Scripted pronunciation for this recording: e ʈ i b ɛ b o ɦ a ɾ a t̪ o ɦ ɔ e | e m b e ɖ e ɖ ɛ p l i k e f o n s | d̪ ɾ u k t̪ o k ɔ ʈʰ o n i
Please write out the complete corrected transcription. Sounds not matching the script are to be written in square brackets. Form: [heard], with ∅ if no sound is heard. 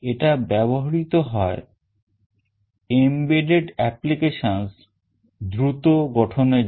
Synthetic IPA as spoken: e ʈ [a] b ɛ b o ɦ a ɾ [i] t̪ o ɦ ɔ e | e m b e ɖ e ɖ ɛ p l i k e [ʃ] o n s | d̪ ɾ u [∅] t̪ o [ɡ] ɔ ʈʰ o n [e]

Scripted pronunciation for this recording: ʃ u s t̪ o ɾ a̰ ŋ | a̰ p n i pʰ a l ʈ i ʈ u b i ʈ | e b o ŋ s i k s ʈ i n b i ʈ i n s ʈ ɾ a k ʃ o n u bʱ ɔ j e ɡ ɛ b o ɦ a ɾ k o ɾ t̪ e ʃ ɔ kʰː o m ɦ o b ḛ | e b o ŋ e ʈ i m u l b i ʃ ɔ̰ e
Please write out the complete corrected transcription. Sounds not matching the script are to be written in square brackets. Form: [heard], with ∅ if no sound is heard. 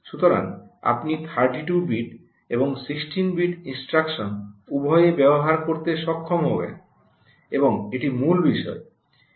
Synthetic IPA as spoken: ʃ u [∅] t̪ o ɾ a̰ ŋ | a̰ p n i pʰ a [ɾ] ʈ i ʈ u b i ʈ | e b o ŋ s i k s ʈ i n b i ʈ i n s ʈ ɾ a k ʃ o n u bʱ ɔ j e [b] ɛ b o ɦ a ɾ k o ɾ t̪ e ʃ ɔ kʰː o m ɦ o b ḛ | e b o ŋ e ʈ i m u l b i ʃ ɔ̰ e

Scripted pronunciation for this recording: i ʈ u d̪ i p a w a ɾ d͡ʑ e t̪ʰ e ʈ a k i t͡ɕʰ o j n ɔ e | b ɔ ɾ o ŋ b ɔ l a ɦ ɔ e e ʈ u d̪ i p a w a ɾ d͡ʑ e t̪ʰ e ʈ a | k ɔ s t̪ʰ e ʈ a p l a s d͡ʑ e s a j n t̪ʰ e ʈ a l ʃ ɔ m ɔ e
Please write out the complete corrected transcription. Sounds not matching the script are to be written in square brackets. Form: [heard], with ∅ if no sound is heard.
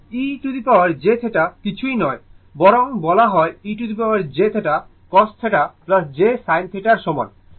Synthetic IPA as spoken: i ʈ u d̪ i p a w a ɾ d͡ʑ e t̪ʰ e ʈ a k i t͡ɕʰ [u] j n ɔ e | b ɔ ɾ o ŋ b ɔ l a ɦ ɔ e [i] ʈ u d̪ i p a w a ɾ d͡ʑ e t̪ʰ e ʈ a | k ɔ s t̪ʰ e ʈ a p l a s d͡ʑ e s a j n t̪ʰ e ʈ a [ɾ] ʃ ɔ m ɔ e

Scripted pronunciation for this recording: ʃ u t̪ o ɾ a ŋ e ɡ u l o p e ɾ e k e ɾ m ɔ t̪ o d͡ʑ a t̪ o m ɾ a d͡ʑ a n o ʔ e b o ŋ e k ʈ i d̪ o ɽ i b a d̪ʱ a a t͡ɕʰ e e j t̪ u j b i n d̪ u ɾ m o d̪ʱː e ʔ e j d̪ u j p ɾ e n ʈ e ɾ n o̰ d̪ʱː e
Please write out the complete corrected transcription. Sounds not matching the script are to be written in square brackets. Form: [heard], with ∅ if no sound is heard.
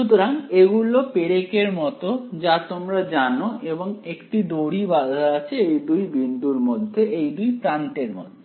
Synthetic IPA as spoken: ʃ u t̪ o ɾ a ŋ e ɡ u l o p e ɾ e k e ɾ m ɔ t̪ o d͡ʑ a t̪ o m ɾ a d͡ʑ a n o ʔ e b o ŋ e k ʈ i d̪ o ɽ i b a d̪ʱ a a t͡ɕʰ e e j [d̪] u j b i n d̪ u ɾ m o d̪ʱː e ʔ e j d̪ u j p ɾ [a] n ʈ e ɾ [m] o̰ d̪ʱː e

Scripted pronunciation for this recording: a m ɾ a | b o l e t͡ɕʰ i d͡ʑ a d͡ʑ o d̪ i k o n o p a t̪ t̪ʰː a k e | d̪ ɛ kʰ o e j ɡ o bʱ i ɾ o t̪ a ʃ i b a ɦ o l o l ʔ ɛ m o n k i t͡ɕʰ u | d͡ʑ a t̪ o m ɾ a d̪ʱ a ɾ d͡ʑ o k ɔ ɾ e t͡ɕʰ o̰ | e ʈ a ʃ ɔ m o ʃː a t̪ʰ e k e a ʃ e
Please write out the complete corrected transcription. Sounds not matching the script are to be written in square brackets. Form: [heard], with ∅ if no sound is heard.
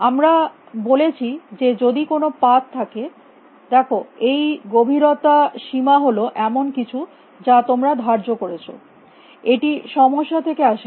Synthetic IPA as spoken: a m ɾ a | b o l e t͡ɕʰ i d͡ʑ [e] d͡ʑ o d̪ i k o n o p a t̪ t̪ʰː a k e | d̪ ɛ kʰ o e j ɡ o bʱ i ɾ o t̪ a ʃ i [m] a ɦ o l o [∅] ʔ ɛ m o n k i t͡ɕʰ u | d͡ʑ a t̪ o m ɾ a d̪ʱ a ɾ d͡ʑ o k [o] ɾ e t͡ɕʰ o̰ | e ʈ [i] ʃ ɔ m o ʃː a t̪ʰ e k e a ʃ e

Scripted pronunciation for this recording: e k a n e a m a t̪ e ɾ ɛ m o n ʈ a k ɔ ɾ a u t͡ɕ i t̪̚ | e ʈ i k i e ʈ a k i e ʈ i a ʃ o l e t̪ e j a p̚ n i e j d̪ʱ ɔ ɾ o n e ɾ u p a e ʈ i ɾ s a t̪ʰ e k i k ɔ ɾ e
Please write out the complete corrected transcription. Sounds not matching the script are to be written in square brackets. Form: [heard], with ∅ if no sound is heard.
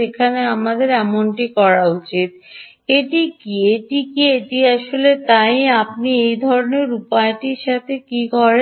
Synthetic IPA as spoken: e [kʰ] a n e a m a [d̪] e ɾ ɛ m o n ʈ [i] k ɔ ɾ a u t͡ɕ i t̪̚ | e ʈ i k i e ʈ [i] k i e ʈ i a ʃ o l e t̪ [a] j a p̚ n i e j d̪ʱ ɔ ɾ o n e ɾ u p a e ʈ i ɾ [ʃ] a t̪ʰ e k i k ɔ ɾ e

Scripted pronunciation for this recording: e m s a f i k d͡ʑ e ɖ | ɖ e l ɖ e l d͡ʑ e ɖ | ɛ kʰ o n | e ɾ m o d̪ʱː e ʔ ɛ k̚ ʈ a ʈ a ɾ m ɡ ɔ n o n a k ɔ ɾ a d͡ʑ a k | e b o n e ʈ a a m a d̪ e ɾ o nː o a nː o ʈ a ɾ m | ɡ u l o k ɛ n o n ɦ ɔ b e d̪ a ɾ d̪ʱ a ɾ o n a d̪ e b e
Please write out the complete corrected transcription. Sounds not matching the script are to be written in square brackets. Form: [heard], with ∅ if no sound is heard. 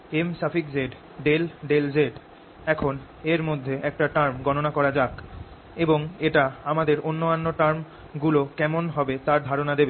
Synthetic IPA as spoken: e m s a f i k d͡ʑ e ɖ | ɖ e l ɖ e l d͡ʑ e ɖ | ɛ kʰ o n | e ɾ m o d̪ʱː e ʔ ɛ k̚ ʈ a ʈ a ɾ m ɡ ɔ n o n a k ɔ ɾ a d͡ʑ a k | e b o [ŋ] e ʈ a a m a d̪ e ɾ o nː o a nː o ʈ a ɾ m | ɡ u l o k ɛ [m] o n ɦ ɔ b e [t̪] a ɾ d̪ʱ a ɾ o n a d̪ e b e

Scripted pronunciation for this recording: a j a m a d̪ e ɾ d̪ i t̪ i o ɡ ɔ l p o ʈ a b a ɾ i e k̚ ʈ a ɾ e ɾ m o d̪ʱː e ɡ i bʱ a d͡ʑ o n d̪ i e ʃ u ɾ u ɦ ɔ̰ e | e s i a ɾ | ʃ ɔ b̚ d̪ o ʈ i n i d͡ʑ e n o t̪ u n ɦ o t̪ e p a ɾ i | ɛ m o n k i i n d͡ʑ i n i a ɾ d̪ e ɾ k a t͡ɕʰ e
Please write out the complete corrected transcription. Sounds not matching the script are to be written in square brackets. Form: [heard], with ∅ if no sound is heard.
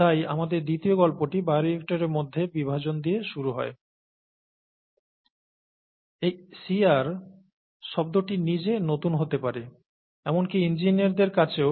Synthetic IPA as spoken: a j a m a d̪ e ɾ d̪ i t̪ i o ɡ ɔ l p o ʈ [i] b a ɾ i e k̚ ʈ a ɾ e ɾ m o d̪ʱː e [b] i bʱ a d͡ʑ o n d̪ i e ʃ u ɾ u ɦ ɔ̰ e | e s i a ɾ | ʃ ɔ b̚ d̪ o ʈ i n i d͡ʑ e n o t̪ u n ɦ o t̪ e p a ɾ [e] | ɛ m o n k i i n d͡ʑ i n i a ɾ d̪ e ɾ k a t͡ɕʰ e

